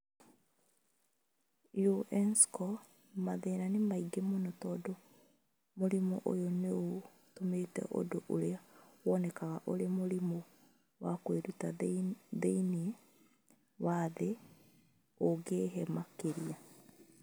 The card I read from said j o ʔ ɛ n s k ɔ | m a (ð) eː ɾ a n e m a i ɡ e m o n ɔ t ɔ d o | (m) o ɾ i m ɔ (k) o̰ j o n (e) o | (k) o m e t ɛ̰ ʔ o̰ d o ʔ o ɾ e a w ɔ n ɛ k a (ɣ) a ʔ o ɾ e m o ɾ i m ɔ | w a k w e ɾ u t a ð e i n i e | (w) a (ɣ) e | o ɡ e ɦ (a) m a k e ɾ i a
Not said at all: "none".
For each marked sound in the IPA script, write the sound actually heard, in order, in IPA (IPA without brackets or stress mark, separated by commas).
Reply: ð, m, ʔ, e, t, ɣ, w, ð, ɛ